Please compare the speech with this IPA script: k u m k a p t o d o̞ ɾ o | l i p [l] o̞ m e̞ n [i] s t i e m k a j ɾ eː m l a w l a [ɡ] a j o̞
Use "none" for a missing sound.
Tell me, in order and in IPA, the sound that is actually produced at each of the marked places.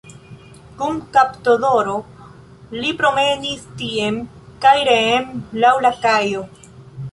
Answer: ɾ, i, k

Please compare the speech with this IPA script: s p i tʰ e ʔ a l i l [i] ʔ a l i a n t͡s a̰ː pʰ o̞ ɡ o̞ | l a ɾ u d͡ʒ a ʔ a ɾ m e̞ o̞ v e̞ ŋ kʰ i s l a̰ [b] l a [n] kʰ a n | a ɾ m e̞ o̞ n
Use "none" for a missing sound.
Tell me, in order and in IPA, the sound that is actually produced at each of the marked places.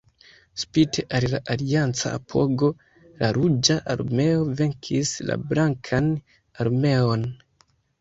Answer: a, b, ŋ

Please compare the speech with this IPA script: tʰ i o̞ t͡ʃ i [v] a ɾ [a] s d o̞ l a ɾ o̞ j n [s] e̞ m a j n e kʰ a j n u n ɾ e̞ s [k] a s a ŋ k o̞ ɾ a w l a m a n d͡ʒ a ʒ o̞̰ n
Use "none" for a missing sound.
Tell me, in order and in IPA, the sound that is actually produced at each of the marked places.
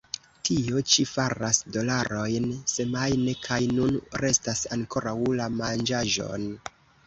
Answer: f, a, s, t

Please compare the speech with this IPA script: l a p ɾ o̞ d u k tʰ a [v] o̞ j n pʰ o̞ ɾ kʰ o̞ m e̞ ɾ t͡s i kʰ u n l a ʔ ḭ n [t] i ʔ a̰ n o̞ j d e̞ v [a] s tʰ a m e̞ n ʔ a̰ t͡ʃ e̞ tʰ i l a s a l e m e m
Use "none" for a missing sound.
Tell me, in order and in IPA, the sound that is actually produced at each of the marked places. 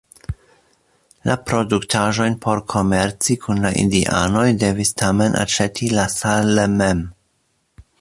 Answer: ʒ, d, i

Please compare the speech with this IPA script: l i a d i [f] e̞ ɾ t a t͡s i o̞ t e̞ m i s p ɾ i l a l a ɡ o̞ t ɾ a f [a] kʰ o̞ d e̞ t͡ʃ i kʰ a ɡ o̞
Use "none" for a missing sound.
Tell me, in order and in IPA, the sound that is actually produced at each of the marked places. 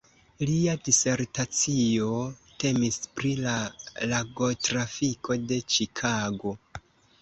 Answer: s, i

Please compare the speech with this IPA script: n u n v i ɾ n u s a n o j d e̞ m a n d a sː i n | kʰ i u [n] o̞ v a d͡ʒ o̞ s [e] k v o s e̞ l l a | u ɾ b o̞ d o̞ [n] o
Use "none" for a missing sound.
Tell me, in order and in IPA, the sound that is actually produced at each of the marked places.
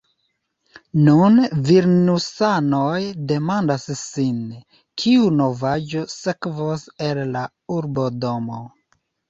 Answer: n, e, m

